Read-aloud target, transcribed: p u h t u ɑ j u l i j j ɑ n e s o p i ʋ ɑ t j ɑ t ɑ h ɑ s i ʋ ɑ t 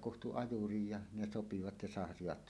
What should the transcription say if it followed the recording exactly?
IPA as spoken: k u h t u ɑ j u r i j j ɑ n e s o p i ʋ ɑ t j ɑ s ɑ h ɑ s i ʋ ɑ t